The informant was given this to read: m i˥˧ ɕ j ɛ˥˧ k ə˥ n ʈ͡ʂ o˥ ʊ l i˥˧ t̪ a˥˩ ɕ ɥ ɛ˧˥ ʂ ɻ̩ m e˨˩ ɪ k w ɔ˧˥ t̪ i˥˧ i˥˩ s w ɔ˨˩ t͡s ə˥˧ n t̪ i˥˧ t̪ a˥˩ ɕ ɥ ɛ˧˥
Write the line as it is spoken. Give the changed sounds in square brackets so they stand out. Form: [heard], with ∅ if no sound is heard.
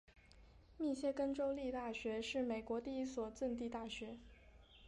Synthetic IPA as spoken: m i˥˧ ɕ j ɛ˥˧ k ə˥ n ʈ͡ʂ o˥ ʊ l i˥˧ t̪ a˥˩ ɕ ɥ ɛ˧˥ ʂ ɻ̩ m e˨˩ ɪ k w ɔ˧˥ t̪ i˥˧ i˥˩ s w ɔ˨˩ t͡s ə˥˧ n t̪ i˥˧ t̪ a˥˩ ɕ ɥ ɛ˧˥